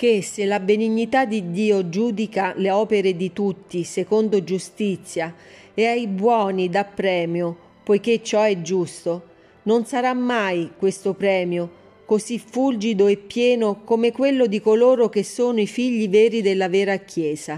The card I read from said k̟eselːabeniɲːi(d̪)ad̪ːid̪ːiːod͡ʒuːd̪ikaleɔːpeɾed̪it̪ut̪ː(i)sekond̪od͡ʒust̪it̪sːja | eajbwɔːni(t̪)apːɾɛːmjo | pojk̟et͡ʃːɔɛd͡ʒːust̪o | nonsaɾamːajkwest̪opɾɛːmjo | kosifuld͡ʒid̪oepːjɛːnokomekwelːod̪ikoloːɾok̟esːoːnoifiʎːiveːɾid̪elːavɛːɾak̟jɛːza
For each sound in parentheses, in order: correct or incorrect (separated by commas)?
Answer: incorrect, correct, incorrect